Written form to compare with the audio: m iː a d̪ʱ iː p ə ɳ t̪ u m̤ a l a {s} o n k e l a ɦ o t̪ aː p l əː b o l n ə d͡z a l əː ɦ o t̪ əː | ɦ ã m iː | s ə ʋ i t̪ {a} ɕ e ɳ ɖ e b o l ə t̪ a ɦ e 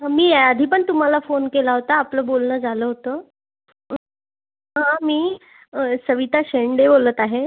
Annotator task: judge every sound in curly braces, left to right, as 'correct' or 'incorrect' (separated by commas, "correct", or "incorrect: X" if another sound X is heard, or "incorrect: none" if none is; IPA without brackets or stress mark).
incorrect: f, correct